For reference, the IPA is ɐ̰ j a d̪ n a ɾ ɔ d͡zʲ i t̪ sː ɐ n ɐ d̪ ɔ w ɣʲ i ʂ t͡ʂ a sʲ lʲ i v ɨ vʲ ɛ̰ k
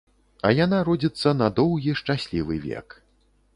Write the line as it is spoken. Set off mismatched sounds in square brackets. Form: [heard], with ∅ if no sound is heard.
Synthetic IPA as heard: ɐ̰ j a [∅] n a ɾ ɔ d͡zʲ i t̪ sː ɐ n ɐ d̪ ɔ w ɣʲ i ʂ t͡ʂ a sʲ lʲ i v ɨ vʲ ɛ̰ k